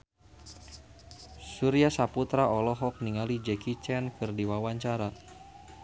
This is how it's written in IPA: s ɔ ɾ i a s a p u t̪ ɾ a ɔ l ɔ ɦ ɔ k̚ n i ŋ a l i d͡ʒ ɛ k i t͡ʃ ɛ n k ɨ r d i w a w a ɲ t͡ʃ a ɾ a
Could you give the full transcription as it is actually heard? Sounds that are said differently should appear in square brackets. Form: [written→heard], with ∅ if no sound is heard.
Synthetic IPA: s [ɔ→u] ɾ i a s a p u t̪ ɾ a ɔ l ɔ ɦ ɔ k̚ n i ŋ a l i d͡ʒ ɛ k i t͡ʃ ɛ n k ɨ r d i w a w a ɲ t͡ʃ a ɾ a